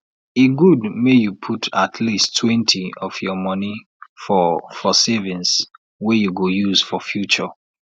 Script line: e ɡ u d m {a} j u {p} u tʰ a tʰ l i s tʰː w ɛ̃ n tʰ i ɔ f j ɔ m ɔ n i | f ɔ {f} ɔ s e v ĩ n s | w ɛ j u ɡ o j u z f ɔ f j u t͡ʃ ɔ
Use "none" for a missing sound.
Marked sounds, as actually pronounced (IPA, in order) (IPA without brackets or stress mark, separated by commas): e, pʰ, f